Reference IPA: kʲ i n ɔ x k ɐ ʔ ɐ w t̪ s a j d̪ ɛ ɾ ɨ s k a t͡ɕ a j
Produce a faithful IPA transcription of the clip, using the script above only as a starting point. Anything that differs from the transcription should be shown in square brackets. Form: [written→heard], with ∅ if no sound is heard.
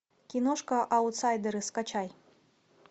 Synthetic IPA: kʲ i n ɔ [x→ʂ] k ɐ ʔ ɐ w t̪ s a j d̪ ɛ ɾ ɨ s k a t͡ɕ a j